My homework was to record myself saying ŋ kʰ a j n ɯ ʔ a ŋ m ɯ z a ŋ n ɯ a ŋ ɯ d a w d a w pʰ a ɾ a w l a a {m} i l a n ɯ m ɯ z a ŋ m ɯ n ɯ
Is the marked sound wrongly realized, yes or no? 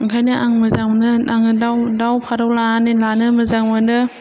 yes